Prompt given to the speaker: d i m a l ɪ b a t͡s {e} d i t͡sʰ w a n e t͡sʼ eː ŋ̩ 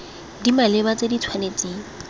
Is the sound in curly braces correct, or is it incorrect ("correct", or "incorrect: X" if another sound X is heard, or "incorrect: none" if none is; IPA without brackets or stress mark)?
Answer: correct